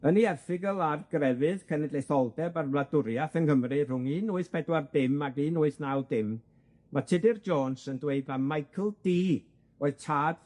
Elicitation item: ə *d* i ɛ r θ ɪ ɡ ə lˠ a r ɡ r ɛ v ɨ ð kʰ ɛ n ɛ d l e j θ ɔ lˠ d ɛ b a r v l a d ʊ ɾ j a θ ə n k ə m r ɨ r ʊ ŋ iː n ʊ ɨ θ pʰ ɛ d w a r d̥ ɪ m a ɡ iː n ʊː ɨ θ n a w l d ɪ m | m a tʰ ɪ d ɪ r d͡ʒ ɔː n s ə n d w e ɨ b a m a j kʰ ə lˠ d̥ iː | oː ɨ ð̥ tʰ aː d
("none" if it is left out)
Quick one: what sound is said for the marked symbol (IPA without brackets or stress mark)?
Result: n